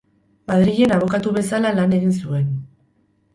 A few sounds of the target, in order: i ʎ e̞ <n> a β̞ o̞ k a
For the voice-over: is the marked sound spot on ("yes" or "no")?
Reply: yes